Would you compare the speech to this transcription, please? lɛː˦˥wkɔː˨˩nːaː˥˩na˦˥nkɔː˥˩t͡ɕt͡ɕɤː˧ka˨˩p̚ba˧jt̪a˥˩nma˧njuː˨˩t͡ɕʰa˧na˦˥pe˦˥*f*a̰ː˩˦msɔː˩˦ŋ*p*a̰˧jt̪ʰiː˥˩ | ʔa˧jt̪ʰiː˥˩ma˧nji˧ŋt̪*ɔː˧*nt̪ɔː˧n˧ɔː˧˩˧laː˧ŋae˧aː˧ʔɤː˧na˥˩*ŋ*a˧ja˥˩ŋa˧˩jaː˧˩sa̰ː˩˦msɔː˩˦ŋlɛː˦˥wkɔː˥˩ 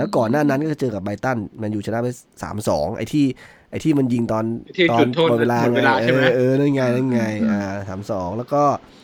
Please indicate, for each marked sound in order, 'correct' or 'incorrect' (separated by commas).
incorrect, incorrect, correct, correct